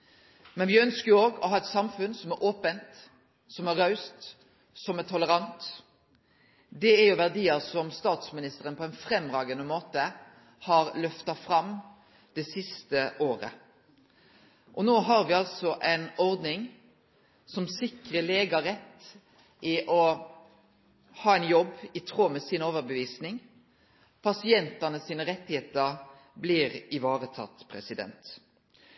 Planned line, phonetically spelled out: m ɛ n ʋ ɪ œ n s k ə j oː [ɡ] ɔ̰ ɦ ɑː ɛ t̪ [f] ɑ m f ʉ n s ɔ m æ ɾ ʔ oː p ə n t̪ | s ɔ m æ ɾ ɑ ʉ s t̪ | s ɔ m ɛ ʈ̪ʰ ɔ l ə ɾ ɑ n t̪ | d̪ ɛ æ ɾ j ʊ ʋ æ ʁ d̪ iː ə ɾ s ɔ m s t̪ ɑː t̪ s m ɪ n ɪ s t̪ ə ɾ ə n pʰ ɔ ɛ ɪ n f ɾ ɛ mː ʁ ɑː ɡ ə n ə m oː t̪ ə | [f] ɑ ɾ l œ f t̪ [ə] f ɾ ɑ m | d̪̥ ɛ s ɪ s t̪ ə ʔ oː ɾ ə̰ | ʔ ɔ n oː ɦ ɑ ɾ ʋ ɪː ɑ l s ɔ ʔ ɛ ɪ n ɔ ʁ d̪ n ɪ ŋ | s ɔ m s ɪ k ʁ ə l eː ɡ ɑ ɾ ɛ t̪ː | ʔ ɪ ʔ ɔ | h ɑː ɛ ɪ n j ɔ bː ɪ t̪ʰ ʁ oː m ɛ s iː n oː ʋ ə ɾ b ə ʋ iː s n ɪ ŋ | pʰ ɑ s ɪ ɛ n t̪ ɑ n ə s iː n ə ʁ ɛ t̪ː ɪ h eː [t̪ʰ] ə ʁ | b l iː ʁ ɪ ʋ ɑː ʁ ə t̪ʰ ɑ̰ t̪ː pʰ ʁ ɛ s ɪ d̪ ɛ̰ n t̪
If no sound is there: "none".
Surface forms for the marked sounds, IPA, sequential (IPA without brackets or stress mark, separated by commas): ɡ, s, h, ɑ, t̪